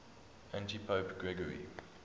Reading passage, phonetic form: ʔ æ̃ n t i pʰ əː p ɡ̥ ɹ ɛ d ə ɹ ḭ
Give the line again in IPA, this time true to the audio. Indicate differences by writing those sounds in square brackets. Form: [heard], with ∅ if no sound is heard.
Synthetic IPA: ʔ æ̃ n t i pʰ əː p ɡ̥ ɹ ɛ [ɡ] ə ɹ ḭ